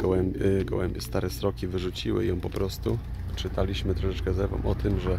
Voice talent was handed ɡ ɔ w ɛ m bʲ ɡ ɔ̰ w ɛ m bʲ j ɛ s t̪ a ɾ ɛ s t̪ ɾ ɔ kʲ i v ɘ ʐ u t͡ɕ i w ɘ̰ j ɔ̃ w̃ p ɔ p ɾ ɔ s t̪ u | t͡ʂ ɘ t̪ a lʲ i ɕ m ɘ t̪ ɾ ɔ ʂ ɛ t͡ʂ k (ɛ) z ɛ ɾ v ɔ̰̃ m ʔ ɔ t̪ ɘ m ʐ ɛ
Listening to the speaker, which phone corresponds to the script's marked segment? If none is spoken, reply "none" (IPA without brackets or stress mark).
ɛ